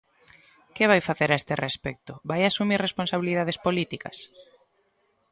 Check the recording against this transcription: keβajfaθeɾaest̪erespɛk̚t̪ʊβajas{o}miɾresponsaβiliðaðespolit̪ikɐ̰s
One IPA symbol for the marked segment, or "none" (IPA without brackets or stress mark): u